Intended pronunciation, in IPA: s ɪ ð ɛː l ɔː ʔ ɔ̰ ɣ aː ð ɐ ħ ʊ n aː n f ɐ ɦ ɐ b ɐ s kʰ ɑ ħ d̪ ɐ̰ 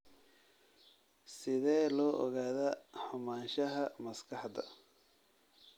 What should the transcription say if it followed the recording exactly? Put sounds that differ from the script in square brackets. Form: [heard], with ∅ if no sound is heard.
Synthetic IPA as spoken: s ɪ ð ɛː l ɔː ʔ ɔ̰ ɣ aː ð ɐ ħ ʊ [m] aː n [ʃ] ɐ ɦ ɐ [m] ɐ s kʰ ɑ ħ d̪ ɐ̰